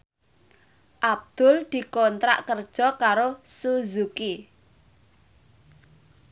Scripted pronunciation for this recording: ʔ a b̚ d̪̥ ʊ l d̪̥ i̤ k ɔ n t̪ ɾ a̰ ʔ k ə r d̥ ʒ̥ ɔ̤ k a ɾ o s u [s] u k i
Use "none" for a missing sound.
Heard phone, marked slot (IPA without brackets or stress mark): z